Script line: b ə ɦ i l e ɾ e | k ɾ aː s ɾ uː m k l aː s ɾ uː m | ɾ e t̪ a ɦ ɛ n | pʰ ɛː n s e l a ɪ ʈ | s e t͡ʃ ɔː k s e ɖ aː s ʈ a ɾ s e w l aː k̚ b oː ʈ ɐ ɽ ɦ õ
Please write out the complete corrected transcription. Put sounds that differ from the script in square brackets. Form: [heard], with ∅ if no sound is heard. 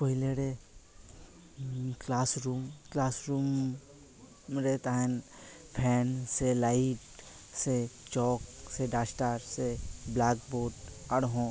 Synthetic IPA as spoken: [p] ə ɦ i l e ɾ e | k [l] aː s ɾ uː m k l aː s ɾ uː m | ɾ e t̪ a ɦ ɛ n | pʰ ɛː n s e l a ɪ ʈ | s e t͡ʃ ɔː k s e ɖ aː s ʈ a ɾ s e [b] l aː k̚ b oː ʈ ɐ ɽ ɦ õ